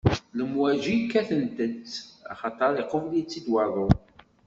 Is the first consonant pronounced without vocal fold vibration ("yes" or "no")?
no